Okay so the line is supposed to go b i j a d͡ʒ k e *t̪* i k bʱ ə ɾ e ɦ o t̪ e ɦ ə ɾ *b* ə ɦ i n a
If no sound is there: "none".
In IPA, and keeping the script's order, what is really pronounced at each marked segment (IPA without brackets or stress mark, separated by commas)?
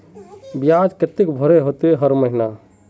t̪, m